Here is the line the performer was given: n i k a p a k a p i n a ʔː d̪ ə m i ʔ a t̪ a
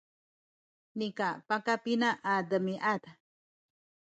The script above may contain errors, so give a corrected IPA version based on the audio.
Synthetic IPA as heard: n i k a p a k a p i n a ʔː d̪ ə m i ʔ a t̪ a